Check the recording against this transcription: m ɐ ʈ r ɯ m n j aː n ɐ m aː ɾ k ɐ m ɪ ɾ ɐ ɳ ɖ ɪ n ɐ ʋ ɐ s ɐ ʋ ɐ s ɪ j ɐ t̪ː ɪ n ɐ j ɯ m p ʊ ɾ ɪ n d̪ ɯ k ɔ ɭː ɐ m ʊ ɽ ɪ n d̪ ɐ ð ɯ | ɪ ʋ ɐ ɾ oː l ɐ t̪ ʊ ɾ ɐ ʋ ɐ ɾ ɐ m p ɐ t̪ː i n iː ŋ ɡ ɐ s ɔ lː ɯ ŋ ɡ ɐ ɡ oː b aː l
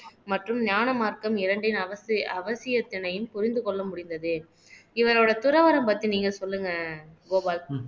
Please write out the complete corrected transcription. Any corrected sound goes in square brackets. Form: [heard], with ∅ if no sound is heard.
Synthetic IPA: m ɐ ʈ r ɯ m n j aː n ɐ m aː ɾ k ɐ m ɪ ɾ ɐ ɳ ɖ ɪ n ɐ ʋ ɐ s ɐ ʋ ɐ s ɪ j ɐ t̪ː ɪ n ɐ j ɯ m p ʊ ɾ ɪ n d̪ ɯ k ɔ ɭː ɐ m ʊ ɽ ɪ n d̪ ɐ ð ɯ | ɪ ʋ ɐ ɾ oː [ɽ] ɐ t̪ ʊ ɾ ɐ ʋ ɐ ɾ ɐ m p ɐ t̪ː i n iː ŋ ɡ ɐ s ɔ lː ɯ ŋ ɡ ɐ ɡ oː b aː l